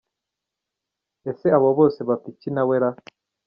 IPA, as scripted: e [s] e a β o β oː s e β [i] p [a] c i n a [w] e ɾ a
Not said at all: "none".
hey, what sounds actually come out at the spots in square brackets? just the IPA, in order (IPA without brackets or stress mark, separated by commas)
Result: s, a, i, w